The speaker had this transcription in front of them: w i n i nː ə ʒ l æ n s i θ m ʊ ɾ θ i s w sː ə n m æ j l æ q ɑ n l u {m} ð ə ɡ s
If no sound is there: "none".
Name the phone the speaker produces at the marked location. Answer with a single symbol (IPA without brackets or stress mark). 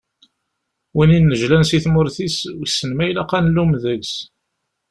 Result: m